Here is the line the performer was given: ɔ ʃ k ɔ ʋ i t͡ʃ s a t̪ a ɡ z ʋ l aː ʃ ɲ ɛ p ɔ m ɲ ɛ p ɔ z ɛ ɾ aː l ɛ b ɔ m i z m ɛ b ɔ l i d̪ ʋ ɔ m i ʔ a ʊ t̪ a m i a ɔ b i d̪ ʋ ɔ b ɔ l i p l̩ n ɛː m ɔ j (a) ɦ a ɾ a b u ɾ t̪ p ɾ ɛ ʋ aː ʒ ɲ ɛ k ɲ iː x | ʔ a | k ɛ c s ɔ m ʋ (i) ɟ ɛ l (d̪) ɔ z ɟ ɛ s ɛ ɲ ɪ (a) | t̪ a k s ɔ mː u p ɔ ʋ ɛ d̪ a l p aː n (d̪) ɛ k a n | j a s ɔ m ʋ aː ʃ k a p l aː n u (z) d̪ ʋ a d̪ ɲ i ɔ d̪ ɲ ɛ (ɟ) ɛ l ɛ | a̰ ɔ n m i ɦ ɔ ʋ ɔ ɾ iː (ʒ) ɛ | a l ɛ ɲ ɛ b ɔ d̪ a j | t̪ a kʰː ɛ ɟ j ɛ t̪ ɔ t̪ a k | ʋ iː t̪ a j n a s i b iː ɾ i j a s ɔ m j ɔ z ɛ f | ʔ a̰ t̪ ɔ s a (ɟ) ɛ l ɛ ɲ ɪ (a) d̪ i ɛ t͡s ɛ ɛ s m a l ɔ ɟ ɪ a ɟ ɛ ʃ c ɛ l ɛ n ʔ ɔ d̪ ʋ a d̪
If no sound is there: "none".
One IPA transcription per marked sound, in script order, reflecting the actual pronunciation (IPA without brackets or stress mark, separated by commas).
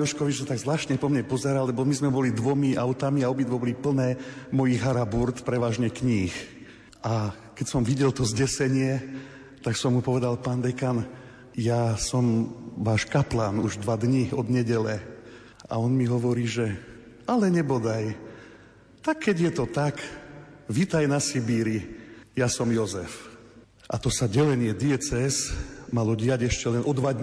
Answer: i, i, t̪, ɛ, d̪, ʒ, ɟ, ʒ, ɟ, ɛ